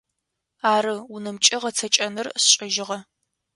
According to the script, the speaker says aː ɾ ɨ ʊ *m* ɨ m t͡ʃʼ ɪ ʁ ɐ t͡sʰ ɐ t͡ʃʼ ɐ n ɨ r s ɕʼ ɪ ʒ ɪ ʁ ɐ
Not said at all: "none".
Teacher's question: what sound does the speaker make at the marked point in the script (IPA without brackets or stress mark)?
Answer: n